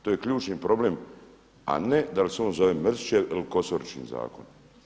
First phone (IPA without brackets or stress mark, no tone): t̪